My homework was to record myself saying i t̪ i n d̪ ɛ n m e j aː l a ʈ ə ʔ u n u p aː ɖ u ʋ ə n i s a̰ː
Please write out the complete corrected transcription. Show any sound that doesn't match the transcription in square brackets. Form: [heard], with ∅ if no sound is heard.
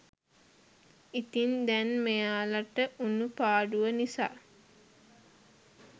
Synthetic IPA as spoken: i t̪ i n d̪ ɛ n m e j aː l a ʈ ə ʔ u n u p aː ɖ u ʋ ə n i s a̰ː